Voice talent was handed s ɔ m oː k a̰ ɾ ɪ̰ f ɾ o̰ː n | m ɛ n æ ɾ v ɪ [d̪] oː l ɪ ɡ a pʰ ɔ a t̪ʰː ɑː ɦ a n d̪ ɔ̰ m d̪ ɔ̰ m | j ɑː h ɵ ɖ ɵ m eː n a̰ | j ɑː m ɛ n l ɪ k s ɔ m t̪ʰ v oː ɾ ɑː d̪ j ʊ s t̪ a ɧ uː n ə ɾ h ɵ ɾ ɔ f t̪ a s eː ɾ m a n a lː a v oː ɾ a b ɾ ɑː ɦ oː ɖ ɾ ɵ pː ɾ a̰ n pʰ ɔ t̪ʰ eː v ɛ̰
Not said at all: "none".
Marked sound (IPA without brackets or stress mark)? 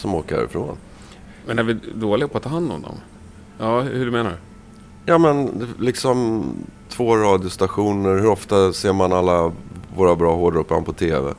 d̪